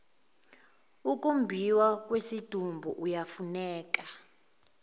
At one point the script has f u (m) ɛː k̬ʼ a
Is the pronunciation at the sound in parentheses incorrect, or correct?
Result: incorrect